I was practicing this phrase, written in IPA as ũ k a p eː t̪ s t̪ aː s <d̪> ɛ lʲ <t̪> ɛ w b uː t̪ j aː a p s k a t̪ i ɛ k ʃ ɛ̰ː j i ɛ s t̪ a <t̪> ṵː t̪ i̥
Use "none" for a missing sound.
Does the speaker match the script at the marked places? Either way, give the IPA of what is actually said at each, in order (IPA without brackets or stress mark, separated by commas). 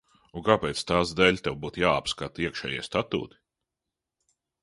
d̪, t̪, t̪